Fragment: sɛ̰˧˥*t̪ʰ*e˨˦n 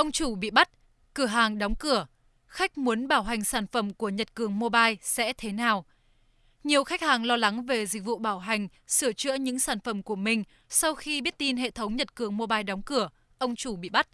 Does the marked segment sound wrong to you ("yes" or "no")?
no